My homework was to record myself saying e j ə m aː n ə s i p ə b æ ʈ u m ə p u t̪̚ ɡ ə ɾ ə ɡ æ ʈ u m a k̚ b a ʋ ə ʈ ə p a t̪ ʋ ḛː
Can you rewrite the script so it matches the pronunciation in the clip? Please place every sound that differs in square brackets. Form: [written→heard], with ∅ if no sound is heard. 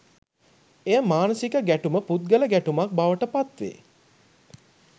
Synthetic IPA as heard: e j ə m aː n ə s i [p→k] ə [b→ɡ] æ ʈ u m ə p u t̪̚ ɡ ə [ɾ→l] ə ɡ æ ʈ u m a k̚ b a ʋ ə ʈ ə p a t̪ ʋ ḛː